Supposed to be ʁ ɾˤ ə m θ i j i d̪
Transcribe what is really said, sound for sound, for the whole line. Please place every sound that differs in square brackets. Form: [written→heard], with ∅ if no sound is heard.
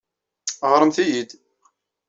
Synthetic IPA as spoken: ʁ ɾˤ ə m θ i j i d̪